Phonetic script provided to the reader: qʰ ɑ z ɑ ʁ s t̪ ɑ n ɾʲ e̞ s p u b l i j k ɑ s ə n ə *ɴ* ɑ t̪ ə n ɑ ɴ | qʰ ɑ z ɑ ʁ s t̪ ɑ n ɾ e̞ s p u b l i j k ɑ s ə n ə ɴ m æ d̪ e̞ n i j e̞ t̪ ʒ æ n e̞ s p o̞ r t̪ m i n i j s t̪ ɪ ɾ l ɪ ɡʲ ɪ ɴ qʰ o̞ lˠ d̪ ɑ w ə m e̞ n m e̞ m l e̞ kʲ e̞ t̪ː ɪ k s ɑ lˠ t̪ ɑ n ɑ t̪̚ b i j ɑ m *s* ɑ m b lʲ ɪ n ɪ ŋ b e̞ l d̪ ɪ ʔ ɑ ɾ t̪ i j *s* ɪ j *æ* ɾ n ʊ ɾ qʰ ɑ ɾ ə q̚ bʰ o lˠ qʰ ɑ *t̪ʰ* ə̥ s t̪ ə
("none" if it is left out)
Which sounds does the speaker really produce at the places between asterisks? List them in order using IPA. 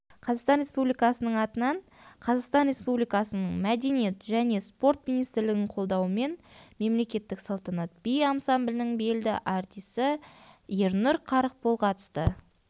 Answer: ɴ, s, s, e, t̪

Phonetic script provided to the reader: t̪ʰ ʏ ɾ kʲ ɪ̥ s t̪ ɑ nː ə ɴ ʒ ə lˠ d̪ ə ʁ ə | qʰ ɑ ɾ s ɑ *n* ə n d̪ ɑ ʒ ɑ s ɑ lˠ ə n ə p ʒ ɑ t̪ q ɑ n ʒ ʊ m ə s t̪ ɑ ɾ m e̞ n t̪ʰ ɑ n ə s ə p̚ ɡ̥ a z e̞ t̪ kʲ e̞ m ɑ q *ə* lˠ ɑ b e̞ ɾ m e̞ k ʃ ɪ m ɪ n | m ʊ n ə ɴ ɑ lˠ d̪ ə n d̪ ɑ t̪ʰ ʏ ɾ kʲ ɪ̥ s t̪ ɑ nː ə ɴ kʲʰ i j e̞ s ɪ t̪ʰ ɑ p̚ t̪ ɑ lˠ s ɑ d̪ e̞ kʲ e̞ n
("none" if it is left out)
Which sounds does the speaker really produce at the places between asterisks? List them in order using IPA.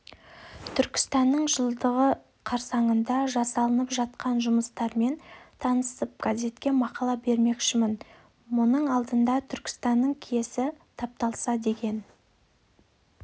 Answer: ɴ, ɑ

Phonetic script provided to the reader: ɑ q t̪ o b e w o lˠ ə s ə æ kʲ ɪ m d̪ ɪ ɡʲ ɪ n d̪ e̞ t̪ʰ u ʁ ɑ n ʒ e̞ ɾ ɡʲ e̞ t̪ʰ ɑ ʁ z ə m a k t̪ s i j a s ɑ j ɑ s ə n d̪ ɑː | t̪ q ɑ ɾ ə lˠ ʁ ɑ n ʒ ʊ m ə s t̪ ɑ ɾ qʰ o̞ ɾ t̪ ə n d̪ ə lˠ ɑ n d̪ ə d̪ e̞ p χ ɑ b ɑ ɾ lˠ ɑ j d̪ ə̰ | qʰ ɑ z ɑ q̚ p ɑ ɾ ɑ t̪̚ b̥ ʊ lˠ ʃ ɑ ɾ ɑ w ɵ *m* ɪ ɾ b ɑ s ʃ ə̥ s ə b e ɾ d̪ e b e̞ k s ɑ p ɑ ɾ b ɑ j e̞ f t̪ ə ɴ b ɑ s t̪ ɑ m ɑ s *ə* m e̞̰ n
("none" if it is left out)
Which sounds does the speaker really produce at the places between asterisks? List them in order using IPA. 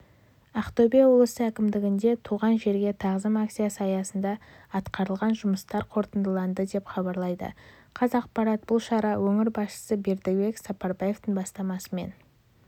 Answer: ŋ, ə

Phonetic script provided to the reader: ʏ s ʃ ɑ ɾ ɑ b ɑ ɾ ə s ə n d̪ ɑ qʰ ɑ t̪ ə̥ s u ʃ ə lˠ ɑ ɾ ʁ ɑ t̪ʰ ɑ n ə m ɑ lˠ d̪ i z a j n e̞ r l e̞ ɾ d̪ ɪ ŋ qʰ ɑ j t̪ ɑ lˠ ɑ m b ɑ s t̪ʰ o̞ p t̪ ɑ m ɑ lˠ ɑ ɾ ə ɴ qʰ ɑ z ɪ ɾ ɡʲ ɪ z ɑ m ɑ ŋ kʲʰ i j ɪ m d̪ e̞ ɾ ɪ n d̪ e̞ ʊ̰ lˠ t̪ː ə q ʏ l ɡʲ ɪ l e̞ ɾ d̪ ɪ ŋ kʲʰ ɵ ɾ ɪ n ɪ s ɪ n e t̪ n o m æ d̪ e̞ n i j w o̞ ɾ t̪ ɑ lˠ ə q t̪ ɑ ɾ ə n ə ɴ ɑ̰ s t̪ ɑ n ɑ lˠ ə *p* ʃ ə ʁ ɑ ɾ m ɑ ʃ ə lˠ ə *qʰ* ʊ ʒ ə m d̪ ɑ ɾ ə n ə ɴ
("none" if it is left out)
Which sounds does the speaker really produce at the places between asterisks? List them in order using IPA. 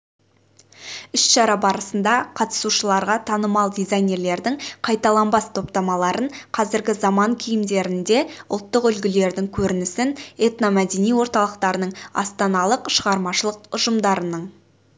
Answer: q, q

